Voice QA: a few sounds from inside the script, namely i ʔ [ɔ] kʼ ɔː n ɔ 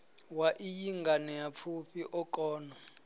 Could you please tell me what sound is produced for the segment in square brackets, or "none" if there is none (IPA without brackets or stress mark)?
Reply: ɔ